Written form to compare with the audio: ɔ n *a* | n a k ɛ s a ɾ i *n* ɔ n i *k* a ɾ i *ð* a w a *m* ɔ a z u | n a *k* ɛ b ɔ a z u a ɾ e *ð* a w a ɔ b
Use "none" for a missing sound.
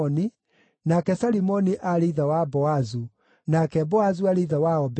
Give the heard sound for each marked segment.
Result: i, m, ʔ, ð, b, k, ð

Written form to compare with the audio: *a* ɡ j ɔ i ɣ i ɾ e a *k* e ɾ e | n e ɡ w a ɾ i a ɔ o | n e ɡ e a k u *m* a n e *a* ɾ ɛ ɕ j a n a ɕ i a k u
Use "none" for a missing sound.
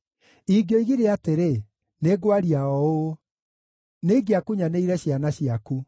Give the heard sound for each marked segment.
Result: i, t, ɲ, i

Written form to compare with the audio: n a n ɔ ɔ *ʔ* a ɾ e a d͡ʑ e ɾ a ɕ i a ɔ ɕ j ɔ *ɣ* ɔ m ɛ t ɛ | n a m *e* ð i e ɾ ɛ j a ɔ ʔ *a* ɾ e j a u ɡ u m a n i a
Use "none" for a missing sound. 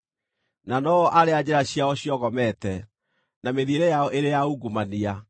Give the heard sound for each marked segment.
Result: ʔ, ɣ, e, e

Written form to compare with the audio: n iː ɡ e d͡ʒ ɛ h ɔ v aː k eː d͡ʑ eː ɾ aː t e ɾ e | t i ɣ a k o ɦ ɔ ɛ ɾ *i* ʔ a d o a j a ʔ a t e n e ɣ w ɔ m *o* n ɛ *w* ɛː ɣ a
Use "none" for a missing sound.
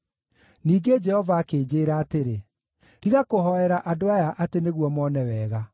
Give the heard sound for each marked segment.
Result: a, ɔ, w

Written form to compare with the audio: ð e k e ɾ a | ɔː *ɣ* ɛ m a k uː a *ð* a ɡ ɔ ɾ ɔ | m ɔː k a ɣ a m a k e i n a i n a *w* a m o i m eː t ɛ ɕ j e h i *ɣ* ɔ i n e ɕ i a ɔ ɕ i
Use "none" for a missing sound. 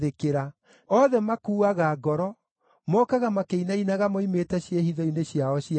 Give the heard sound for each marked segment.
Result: ð, ɣ, ɣ, ð

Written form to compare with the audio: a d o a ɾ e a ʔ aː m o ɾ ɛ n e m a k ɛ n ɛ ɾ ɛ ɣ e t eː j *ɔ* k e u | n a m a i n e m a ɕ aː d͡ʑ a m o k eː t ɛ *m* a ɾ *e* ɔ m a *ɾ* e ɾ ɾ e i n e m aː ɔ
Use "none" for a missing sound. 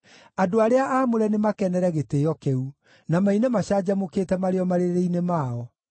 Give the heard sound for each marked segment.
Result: ɔ, m, e, ɾ

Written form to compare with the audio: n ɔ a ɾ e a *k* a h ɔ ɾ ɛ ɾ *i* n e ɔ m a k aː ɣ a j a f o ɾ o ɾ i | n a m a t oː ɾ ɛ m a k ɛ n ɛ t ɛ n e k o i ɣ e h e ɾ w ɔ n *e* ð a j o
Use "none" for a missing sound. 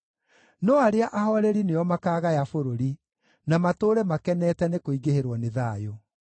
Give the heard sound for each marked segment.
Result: ʔ, i, e

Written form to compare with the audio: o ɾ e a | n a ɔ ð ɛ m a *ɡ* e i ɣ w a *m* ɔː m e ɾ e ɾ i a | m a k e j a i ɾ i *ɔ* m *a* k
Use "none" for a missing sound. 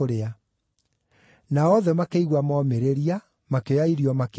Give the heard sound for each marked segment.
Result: k, m, ɔ, a

